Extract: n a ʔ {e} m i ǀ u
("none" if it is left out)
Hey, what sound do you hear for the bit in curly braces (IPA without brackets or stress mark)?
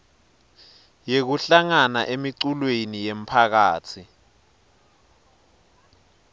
e